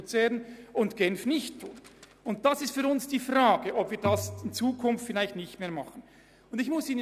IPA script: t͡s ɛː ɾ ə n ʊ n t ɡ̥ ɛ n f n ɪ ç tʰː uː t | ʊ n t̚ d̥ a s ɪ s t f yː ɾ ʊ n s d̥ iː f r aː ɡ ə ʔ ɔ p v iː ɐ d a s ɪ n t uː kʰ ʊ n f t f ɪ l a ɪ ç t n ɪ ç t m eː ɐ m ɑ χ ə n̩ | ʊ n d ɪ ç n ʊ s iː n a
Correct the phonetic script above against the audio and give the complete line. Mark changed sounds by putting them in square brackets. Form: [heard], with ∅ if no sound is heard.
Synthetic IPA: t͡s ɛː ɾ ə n ʊ n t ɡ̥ ɛ n f n ɪ ç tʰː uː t | ʊ n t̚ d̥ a s ɪ s t f yː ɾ ʊ n s d̥ iː f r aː ɡ ə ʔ ɔ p v iː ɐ d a s ɪ n [t͡s] uː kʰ ʊ n f t f ɪ l a ɪ ç t n ɪ ç t m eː ɐ m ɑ χ ə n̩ | ʊ n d ɪ ç [m] ʊ s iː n [ə]